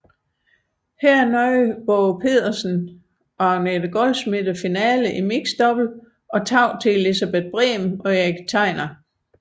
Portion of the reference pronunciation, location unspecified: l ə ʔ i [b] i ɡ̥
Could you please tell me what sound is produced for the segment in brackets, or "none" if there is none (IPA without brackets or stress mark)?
m